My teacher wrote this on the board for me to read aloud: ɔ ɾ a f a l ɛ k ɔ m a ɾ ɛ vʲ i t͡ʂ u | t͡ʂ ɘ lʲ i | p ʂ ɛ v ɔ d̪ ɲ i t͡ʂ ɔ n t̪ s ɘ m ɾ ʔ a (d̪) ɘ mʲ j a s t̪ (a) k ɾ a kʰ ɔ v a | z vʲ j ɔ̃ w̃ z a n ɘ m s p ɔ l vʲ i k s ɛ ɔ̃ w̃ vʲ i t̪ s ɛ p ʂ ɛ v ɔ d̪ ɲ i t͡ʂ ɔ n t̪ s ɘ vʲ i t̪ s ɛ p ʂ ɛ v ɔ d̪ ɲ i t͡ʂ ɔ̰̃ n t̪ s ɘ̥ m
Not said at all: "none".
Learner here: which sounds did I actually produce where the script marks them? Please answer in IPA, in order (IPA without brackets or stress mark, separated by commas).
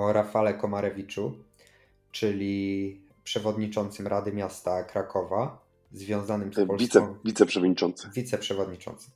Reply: d̪, a